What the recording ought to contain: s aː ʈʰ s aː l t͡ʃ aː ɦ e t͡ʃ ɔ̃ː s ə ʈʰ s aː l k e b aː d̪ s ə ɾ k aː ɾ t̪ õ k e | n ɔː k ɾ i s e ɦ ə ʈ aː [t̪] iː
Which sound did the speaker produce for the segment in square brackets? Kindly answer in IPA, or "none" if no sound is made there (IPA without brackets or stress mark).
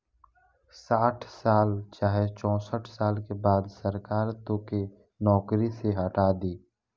d̪